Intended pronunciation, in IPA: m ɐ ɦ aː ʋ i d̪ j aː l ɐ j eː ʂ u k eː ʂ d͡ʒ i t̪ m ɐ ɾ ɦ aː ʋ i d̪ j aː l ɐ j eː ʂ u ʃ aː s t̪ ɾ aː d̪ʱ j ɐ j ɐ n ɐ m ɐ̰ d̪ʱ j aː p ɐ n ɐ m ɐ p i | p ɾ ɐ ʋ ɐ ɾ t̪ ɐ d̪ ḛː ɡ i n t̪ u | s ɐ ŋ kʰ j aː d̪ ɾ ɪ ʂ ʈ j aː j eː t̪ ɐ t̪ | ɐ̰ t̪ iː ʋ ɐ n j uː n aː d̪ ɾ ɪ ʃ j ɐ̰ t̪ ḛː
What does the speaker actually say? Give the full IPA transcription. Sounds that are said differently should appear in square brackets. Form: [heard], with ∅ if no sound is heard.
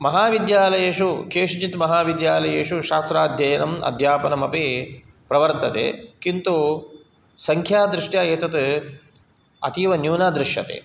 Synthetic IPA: m ɐ ɦ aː ʋ i d̪ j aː l ɐ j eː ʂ u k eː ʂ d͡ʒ i t̪ m ɐ [∅] ɦ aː ʋ i d̪ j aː l ɐ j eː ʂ u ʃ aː s t̪ ɾ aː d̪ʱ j ɐ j ɐ n ɐ m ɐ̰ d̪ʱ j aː p ɐ n ɐ m ɐ p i | p ɾ ɐ ʋ ɐ ɾ t̪ ɐ [t̪] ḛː [k] i n t̪ u | s ɐ ŋ kʰ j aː d̪ ɾ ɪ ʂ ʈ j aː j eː t̪ ɐ t̪ | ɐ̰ t̪ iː ʋ ɐ n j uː n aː d̪ ɾ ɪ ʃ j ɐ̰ t̪ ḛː